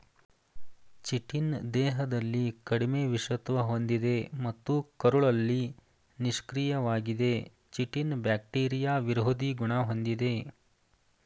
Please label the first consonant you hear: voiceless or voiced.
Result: voiceless